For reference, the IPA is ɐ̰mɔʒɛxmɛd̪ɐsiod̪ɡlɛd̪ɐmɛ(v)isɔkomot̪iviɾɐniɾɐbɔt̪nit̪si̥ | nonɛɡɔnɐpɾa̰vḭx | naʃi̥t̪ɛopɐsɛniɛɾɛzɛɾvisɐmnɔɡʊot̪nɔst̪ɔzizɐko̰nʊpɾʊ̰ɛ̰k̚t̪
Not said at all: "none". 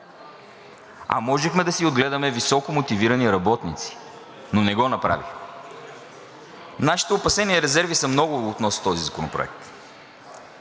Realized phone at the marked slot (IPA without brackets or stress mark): v